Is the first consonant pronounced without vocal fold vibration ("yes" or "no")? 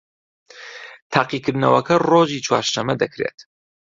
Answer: yes